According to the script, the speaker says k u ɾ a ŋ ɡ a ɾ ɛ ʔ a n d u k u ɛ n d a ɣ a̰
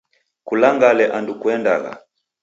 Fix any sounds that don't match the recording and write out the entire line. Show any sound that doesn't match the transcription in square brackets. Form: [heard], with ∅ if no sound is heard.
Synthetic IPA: k u [l] a ŋ ɡ a [l] ɛ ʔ a n d u k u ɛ n d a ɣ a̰